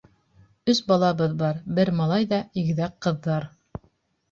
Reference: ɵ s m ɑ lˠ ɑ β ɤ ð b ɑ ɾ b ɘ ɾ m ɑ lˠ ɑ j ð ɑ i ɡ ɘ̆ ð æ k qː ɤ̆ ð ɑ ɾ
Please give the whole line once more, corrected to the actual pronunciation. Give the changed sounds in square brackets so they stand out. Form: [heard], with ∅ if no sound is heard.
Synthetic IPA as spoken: ɵ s [b] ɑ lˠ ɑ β ɤ ð b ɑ ɾ b ɘ ɾ m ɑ lˠ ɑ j ð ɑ i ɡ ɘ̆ ð æ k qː ɤ̆ [ðː] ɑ ɾ